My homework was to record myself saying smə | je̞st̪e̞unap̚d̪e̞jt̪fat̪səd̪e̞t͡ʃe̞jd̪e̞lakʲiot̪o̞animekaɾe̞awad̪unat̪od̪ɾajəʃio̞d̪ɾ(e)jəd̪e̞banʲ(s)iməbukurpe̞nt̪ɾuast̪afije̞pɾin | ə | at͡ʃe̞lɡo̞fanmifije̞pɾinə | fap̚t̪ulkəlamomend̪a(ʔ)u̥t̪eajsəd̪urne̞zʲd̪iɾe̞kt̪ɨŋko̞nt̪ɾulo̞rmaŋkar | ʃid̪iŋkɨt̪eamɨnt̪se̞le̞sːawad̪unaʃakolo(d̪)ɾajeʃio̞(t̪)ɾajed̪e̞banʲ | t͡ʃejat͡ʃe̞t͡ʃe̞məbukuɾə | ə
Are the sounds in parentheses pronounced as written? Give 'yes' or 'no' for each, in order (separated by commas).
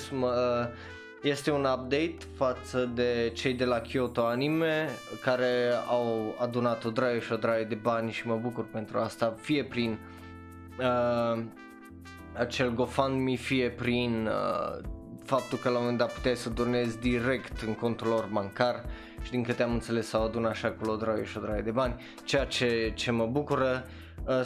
no, no, no, yes, no